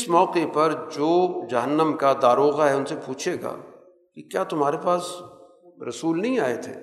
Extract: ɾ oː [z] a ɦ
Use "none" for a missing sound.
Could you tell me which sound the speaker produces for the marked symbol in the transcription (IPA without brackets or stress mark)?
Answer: ɣ